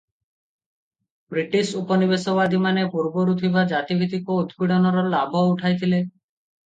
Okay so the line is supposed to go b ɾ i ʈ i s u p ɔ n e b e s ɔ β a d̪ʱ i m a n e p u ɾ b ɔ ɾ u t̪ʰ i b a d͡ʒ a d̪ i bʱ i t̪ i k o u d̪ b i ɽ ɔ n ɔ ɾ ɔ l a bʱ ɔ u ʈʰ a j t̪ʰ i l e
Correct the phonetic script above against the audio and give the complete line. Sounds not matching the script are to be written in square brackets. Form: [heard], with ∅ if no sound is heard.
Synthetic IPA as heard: b ɾ i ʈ i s u p ɔ n [i] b e s ɔ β a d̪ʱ i m a n e p u ɾ b ɔ ɾ u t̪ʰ i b a d͡ʒ a [t̪] i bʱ i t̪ i k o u d̪ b i ɽ ɔ n ɔ ɾ ɔ l a bʱ ɔ u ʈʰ a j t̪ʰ i l e